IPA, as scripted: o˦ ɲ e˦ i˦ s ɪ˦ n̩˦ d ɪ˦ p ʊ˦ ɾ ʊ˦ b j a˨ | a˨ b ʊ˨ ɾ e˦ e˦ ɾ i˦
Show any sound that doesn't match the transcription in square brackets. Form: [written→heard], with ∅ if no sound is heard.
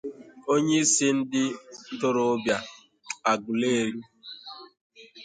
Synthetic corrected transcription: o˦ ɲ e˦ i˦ s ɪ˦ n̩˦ d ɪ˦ [p→t] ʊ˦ ɾ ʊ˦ b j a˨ | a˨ [b→ɡ] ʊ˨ [ɾ→l] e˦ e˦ ɾ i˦